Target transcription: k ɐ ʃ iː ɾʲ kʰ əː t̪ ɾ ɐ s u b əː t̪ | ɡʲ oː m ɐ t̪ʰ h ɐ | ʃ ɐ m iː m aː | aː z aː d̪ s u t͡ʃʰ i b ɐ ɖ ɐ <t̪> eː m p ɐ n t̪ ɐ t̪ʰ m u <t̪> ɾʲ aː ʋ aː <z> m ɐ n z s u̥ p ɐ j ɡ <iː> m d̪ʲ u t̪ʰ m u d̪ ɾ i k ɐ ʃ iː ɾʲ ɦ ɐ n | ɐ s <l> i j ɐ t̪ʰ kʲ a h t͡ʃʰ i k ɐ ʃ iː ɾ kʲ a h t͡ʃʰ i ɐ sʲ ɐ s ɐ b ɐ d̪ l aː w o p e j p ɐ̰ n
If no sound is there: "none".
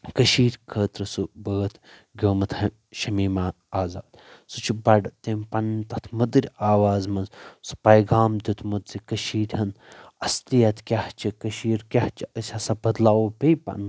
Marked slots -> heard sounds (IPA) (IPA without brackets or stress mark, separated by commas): t̪, d̪, z, aː, l